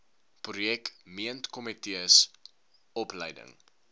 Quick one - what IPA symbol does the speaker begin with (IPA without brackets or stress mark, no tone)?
p